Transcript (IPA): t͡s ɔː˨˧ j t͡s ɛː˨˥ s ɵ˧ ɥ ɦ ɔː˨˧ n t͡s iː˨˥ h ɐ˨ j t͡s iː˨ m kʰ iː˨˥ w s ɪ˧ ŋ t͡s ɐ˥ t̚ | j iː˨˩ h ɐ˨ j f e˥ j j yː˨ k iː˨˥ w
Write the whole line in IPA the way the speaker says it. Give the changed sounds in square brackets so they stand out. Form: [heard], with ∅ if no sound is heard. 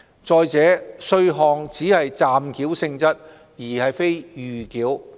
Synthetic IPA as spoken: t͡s ɔː˨˧ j t͡s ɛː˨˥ s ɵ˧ ɥ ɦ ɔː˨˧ [ŋ] t͡s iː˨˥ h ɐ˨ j t͡s [aː˨] m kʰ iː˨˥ w s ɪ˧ ŋ t͡s ɐ˥ t̚ | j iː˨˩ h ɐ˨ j f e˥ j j yː˨ k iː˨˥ w

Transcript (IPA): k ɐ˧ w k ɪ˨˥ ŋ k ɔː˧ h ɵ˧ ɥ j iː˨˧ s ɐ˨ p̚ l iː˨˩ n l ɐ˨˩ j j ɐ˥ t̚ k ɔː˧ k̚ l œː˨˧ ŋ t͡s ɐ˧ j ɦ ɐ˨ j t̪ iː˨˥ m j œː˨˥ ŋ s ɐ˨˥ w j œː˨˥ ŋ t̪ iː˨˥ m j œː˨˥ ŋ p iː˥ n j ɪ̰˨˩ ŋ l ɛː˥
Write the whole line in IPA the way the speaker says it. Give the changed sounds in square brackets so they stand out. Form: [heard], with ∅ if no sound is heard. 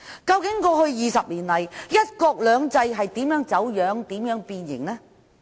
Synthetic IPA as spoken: k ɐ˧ w k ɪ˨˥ ŋ k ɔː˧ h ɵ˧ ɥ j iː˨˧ s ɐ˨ p̚ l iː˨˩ n l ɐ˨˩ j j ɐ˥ t̚ k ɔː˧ k̚ l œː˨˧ ŋ t͡s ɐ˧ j ɦ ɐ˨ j t̪ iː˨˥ m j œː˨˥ ŋ [t͡s] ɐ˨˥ w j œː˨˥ ŋ t̪ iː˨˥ m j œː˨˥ ŋ p [iː˧] n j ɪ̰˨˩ ŋ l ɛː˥

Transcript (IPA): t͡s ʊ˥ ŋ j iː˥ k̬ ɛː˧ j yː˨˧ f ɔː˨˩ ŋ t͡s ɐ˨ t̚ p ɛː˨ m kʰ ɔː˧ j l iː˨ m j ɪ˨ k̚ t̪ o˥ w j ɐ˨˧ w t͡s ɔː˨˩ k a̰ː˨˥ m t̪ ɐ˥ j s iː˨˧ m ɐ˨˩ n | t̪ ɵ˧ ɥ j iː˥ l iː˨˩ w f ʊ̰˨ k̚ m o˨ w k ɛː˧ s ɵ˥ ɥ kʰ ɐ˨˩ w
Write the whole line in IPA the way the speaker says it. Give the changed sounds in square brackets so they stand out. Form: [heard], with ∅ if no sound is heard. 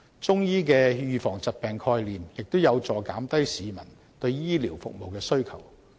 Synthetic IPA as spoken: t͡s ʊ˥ ŋ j iː˥ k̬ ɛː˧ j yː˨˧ f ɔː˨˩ ŋ t͡s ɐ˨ t̚ p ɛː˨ [ŋ] kʰ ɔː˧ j l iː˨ m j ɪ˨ k̚ t̪ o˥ w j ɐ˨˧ w t͡s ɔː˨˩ k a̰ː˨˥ m t̪ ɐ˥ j s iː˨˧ m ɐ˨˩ n | t̪ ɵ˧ ɥ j iː˥ l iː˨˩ w f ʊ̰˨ k̚ m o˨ w k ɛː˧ s ɵ˥ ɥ kʰ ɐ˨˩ w

